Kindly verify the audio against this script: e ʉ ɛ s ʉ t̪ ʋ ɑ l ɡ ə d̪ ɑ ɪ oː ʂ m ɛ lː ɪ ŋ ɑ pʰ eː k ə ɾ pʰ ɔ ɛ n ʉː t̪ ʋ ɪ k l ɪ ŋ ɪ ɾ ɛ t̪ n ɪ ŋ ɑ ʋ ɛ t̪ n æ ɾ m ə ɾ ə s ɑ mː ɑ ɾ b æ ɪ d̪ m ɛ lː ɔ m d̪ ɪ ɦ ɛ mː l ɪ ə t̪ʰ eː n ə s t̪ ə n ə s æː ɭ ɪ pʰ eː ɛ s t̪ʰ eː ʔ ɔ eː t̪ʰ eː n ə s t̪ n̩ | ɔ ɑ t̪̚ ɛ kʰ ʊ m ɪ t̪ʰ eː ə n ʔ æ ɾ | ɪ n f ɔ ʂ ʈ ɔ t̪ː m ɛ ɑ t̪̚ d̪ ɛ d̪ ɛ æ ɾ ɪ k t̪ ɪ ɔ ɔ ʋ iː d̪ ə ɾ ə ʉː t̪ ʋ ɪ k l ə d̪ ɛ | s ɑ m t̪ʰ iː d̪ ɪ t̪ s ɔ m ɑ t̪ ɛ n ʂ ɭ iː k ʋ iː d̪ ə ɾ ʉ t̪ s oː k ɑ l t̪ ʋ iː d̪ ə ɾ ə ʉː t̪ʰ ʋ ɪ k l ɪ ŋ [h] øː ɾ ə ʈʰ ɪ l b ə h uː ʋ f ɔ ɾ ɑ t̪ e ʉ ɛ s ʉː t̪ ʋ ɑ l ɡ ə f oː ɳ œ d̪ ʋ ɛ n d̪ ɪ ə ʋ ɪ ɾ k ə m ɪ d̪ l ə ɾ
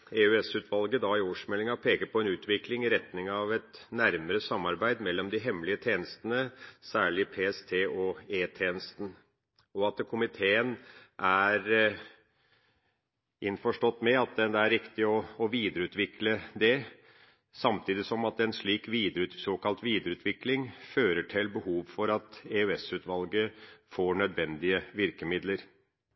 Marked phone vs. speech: incorrect: f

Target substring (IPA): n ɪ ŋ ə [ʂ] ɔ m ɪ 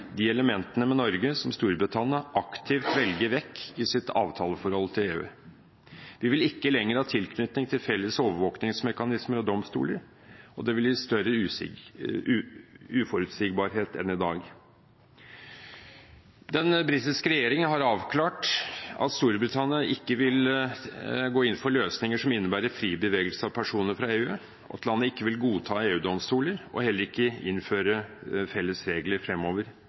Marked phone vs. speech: correct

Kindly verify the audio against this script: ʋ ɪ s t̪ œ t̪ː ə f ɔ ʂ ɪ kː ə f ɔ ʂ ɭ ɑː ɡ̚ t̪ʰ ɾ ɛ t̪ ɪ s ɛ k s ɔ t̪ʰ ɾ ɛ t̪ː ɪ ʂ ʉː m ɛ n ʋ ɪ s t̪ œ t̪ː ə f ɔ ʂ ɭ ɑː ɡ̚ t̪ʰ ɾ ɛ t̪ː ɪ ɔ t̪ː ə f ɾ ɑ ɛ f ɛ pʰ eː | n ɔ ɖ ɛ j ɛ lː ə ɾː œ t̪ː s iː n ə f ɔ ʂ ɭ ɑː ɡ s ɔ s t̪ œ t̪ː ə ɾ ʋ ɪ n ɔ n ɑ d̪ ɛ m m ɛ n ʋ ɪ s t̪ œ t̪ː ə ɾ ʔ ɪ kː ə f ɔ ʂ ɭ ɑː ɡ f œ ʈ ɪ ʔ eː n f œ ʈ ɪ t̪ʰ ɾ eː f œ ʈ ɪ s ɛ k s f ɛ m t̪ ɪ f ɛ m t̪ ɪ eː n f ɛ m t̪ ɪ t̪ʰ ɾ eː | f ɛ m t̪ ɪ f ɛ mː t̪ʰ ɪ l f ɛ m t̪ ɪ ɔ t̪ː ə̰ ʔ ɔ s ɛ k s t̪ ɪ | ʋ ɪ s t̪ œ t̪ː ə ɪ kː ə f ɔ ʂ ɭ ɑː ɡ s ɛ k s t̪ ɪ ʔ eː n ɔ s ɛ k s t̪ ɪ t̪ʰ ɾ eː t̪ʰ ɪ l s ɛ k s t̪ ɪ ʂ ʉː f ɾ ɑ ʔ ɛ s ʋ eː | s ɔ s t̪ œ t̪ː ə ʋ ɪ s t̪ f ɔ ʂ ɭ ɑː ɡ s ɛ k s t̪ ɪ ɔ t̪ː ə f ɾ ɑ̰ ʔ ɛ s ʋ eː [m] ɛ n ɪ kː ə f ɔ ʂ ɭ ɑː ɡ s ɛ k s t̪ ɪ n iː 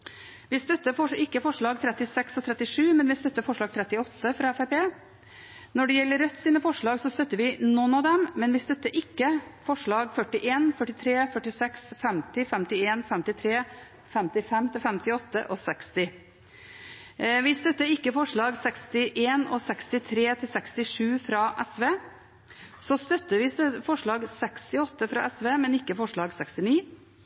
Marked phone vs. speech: correct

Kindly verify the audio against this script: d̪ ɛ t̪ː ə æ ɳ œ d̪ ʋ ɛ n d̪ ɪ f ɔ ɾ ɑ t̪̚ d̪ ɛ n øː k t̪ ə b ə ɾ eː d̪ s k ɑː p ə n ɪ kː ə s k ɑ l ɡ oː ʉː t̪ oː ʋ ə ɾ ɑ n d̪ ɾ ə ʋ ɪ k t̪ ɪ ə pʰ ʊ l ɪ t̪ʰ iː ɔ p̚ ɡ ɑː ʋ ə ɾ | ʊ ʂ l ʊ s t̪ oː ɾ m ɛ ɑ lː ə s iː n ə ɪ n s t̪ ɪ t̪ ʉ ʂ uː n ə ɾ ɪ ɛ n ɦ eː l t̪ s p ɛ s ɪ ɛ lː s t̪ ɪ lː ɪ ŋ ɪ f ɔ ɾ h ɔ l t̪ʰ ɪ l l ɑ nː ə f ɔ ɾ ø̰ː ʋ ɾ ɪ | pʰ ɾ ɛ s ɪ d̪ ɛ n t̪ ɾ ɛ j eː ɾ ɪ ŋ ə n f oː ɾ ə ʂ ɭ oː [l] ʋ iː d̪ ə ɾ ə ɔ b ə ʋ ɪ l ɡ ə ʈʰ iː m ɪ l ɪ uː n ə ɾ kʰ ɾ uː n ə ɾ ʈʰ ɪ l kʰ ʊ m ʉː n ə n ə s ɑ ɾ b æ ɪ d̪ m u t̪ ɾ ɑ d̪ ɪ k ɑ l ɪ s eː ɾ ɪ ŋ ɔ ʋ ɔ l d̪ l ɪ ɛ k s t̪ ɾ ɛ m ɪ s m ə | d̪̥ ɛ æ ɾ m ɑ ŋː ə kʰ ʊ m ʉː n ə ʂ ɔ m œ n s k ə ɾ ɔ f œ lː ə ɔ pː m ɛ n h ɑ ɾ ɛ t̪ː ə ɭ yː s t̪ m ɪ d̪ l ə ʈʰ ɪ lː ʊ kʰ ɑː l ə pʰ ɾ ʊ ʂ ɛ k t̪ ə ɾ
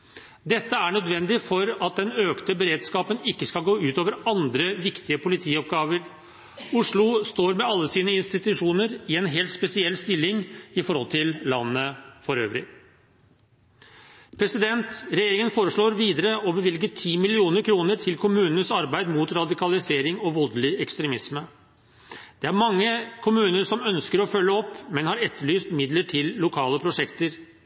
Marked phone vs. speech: incorrect: ɾ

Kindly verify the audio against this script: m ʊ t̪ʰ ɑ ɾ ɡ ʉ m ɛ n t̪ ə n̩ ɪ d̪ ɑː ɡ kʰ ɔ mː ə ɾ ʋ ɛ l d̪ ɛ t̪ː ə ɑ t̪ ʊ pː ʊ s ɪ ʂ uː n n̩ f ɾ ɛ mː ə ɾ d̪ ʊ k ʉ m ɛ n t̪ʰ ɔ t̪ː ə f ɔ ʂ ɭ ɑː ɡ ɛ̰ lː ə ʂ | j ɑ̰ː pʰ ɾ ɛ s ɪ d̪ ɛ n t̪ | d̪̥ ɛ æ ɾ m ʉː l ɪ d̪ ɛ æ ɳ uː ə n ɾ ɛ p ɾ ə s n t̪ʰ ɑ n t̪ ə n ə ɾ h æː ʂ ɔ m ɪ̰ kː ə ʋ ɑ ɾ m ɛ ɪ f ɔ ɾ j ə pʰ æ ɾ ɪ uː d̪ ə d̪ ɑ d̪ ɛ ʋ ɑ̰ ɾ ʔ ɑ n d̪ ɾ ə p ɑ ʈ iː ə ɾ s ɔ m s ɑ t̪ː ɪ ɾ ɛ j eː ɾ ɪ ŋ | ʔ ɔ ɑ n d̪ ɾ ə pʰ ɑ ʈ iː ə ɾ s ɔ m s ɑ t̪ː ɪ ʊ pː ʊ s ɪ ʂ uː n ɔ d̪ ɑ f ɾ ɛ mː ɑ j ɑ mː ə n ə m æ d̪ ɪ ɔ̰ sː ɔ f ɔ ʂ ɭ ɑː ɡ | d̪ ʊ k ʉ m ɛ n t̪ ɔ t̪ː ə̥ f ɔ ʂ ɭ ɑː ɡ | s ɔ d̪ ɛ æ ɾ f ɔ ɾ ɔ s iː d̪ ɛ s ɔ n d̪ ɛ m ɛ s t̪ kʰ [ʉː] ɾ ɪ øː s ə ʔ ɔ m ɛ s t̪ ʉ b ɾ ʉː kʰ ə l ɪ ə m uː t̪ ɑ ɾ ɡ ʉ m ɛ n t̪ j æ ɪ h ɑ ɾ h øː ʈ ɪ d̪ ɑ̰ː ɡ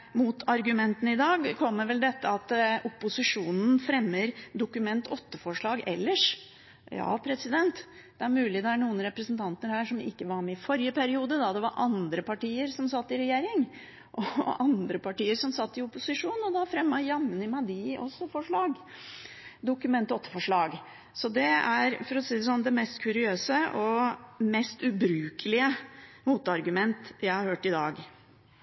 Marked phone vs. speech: incorrect: ʉ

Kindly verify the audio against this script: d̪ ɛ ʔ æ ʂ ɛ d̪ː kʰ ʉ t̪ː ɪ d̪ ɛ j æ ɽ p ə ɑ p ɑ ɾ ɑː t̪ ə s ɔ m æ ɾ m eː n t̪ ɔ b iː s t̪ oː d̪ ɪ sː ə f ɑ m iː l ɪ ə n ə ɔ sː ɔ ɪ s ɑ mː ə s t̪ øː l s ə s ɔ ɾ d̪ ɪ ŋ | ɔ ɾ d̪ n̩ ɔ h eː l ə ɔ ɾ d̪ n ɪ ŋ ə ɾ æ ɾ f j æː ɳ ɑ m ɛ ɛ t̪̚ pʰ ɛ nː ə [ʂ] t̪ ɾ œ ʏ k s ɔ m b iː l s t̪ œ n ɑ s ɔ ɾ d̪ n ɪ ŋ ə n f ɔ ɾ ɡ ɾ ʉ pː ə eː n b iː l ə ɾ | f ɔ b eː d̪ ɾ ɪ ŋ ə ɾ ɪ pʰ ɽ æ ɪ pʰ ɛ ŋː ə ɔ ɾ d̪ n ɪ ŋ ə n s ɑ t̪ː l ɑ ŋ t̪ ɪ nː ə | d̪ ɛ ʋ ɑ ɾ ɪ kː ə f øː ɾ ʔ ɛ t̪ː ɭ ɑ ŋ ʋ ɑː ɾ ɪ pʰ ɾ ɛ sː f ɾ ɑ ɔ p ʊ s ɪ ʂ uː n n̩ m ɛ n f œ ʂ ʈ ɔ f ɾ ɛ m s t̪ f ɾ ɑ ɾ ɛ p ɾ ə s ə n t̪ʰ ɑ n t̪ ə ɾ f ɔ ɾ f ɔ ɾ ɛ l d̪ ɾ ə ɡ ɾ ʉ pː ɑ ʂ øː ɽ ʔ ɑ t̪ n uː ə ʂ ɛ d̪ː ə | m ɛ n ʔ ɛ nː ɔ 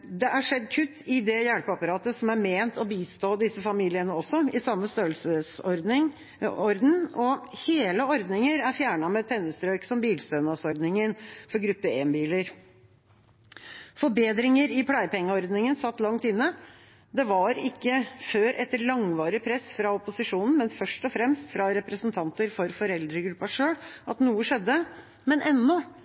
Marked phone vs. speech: incorrect: s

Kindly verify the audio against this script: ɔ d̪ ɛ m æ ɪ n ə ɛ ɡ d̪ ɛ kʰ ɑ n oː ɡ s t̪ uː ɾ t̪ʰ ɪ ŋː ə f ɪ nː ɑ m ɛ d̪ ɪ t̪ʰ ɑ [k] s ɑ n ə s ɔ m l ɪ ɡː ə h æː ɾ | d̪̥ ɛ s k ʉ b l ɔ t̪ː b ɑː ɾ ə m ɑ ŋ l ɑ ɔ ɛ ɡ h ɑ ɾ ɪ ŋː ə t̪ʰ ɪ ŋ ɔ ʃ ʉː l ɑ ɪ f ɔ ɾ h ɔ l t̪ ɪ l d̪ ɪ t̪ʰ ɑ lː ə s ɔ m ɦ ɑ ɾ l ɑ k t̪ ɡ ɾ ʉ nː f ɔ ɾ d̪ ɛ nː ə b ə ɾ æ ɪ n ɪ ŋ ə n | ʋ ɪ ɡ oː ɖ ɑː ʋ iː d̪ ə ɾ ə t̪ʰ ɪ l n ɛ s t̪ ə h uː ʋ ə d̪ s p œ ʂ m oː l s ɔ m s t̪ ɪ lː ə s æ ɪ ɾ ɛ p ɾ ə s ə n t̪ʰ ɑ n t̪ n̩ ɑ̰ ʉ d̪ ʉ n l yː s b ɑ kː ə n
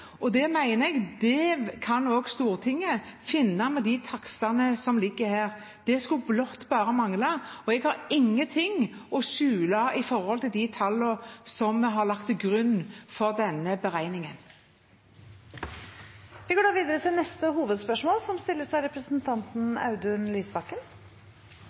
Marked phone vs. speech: correct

